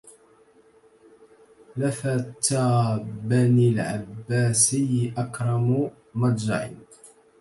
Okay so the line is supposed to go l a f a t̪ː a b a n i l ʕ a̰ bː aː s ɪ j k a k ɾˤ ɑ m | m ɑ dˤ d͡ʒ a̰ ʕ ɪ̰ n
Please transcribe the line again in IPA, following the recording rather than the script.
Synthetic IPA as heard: l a f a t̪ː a b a n i l ʕ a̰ bː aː s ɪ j ʔ a k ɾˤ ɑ m | m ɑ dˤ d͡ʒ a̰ ʕ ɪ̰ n